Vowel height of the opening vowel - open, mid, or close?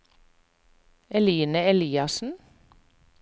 mid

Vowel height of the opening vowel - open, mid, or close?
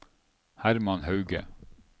open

